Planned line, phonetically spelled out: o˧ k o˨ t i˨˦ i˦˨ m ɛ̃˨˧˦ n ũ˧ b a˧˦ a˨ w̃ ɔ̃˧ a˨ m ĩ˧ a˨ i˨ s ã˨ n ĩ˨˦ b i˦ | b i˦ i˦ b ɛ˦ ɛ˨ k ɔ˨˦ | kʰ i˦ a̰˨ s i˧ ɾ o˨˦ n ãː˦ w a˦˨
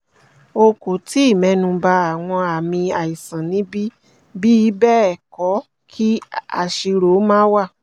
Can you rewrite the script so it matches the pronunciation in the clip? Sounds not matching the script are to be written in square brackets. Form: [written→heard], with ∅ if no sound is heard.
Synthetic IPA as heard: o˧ k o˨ t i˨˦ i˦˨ m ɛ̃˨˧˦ n ũ˧ b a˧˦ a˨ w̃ ɔ̃˧ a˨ m ĩ˧ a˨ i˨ s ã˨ n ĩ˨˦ b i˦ | b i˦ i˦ b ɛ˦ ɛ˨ k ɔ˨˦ | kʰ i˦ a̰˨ [s→ʃ] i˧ ɾ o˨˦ [n→m] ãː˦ w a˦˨